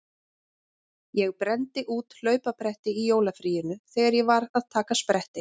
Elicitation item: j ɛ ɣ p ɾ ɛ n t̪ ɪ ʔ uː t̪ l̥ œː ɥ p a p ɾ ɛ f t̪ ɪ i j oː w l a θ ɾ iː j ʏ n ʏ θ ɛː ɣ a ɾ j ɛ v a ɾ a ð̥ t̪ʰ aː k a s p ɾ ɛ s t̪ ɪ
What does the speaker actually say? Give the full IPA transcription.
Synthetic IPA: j ɛ ɣ p ɾ ɛ n t̪ ɪ ʔ uː t̪ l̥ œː ɥ p a p ɾ ɛ h t̪ ɪ i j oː w l a f ɾ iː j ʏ n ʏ θ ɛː ɣ a ɾ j ɛ v a ɾ a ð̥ t̪ʰ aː k a s p ɾ ɛ h t̪ ɪ

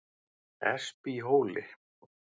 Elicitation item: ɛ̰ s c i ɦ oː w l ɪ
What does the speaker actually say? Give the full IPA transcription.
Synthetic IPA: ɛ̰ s p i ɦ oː w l ɪ

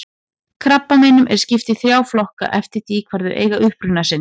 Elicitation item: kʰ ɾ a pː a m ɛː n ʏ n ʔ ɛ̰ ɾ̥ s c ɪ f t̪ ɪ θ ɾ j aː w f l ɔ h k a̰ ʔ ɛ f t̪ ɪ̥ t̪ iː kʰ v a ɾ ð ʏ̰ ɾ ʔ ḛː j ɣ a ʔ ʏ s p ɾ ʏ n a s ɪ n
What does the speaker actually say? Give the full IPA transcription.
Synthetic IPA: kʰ ɾ a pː a m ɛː n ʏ m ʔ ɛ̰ ɾ̥ s c ɪ f t̪ ɪ θ ɾ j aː w f l ɔ h k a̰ ʔ ɛ f t̪ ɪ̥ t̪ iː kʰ v a ɾ ð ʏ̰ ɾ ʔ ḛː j ɣ a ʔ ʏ h p ɾ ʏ n a s ɪ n

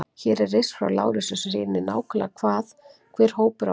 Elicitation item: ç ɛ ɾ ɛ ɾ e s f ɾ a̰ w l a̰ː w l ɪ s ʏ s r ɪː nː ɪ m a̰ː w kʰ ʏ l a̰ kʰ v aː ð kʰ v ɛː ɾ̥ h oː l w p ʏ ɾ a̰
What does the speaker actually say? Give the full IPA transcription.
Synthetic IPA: ç ɛ ɾ ɛ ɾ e s f ɾ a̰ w l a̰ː w ɾ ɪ s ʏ s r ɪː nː ɪ n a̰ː w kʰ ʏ l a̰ kʰ v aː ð kʰ v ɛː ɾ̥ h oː w p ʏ ɾ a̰

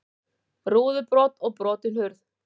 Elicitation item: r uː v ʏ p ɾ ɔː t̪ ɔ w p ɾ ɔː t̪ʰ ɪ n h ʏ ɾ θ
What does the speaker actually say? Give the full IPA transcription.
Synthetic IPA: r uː ð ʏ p ɾ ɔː t̪ ɔ ɣ p ɾ ɔː t̪ ɪ n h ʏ ɾ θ

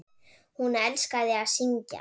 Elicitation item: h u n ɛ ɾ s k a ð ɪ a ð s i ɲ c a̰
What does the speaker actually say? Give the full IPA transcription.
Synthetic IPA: h u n ɛ l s k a ð ɪ a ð s i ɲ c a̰

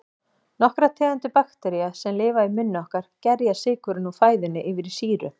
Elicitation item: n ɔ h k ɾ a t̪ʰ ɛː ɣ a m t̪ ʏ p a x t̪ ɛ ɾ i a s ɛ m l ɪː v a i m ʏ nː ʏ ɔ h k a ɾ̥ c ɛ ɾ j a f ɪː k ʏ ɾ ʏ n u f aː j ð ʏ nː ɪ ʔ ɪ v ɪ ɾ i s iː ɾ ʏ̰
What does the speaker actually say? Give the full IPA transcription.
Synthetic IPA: n ɔ h k ɾ a t̪ʰ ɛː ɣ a n t̪ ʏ p a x t̪ ɛ ɾ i a s ɛ m l ɪː v a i m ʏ nː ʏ ɔ h k a ɾ̥ c ɛ ɾ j a s ɪː k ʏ ɾ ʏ n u f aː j ð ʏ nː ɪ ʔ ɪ v ɪ ɾ i s iː ɾ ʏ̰

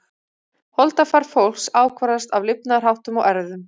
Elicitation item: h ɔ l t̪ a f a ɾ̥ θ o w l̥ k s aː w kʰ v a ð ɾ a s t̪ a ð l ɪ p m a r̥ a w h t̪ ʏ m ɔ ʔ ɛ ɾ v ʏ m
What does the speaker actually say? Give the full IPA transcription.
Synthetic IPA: h ɔ l t̪ a f a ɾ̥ f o w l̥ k s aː w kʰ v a ɾ a s t̪ a v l ɪ p n a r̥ a w h t̪ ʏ m ɔ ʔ ɛ ɾ ð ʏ m

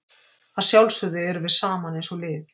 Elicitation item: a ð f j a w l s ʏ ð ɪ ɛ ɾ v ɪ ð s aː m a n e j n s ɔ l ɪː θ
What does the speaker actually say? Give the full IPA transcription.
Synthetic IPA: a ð s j a w l s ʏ ð ɪ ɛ ɾ v ɪ ð s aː m a n e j n s ɔ l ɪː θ

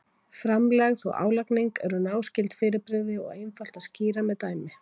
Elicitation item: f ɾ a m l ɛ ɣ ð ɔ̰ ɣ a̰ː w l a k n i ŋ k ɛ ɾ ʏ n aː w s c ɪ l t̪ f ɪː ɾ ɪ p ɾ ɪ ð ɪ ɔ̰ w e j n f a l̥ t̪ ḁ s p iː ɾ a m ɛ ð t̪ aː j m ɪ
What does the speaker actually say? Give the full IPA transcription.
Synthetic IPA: f ɾ a m l ɛ ɣ ð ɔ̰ ɣ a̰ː w l a k n i ŋ k ɛ ɾ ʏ n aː w s c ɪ l t̪ f ɪː ɾ ɪ p ɾ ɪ ð ɪ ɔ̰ ɣ e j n f a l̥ t̪ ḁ s c iː ɾ a m ɛ ð t̪ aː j m ɪ

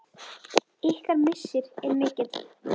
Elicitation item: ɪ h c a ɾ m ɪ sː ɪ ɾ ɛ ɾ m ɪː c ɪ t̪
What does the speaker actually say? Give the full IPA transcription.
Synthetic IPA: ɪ h k a ɾ m ɪ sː ɪ ɾ ɛ ɾ m ɪː c ɪ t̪

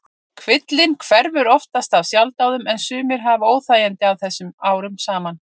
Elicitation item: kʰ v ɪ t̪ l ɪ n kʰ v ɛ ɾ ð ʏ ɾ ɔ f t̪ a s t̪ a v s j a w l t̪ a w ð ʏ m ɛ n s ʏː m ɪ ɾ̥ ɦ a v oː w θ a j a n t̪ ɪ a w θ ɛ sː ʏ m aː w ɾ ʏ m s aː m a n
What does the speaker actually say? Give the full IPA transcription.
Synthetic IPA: kʰ v ɪ t̪ l ɪ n kʰ v ɛ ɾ v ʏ ɾ ɔ f t̪ a s t̪ a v s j a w l t̪ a w ð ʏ m ɛ n s ʏː m ɪ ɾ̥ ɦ a v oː w θ a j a n t̪ ɪ a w θ ɛ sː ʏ m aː w ɾ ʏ m s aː m a n

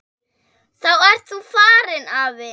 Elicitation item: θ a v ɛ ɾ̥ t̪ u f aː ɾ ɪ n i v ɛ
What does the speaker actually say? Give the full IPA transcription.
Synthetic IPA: θ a w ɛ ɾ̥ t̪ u f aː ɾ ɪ n a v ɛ

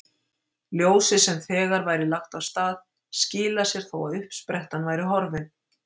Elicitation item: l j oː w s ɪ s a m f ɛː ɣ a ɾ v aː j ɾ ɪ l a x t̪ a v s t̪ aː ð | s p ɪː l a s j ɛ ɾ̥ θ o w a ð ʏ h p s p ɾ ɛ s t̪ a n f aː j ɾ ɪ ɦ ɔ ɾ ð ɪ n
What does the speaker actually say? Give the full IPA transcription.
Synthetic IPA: l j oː w s ɪ s ɛ m θ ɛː ɣ a ɾ v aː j ɾ ɪ l a x t̪ a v s t̪ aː ð | s c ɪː l a s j ɛ ɾ̥ θ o w a ð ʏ h p s p ɾ ɛ h t̪ a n v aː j ɾ ɪ ɦ ɔ ɾ v ɪ n

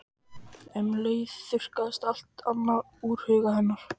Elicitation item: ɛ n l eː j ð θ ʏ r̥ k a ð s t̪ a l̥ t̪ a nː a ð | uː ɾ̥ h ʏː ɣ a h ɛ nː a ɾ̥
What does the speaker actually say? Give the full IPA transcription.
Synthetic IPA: ɛ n l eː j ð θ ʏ r̥ k a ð s t̪ a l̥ t̪ a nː a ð | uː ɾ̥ h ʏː ɣ a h ɛ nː a ɾ̥

